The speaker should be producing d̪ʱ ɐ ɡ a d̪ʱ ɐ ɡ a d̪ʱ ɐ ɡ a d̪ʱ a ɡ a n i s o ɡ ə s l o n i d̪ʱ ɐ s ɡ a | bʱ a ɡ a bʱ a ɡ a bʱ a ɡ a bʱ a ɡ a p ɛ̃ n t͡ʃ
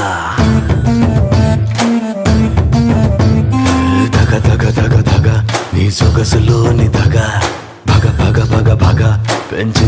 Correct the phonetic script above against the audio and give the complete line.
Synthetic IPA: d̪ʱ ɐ ɡ a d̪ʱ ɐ ɡ a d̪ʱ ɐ ɡ a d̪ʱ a ɡ a n i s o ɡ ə s l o n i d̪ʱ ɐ ɡ a | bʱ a ɡ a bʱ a ɡ a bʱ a ɡ a bʱ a ɡ a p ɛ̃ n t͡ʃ